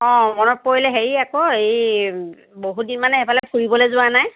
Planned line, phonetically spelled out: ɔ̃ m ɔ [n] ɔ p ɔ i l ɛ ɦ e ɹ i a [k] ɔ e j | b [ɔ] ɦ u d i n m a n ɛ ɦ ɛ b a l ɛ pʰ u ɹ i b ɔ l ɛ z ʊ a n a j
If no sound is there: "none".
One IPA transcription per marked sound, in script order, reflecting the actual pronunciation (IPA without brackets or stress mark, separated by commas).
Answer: n, k, o